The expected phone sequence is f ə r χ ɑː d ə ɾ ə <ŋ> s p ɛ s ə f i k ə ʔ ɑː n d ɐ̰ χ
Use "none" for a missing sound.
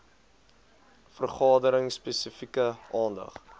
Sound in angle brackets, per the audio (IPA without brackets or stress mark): ŋ